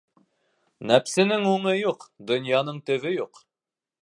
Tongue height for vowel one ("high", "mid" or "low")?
low